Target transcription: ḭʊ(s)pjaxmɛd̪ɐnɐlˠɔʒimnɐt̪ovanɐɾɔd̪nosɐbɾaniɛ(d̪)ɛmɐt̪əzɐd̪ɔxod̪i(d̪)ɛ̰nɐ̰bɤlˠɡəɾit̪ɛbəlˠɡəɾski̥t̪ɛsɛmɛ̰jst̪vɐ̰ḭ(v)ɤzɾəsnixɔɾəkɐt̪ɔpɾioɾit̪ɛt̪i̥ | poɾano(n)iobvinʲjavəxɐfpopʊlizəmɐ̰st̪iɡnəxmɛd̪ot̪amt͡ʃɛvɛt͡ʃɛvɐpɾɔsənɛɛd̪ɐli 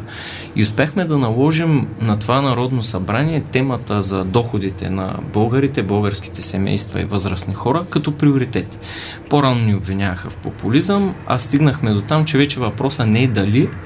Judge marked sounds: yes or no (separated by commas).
yes, no, no, yes, yes